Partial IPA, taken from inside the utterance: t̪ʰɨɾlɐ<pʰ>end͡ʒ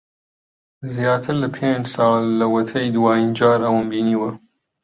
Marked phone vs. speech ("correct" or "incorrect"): correct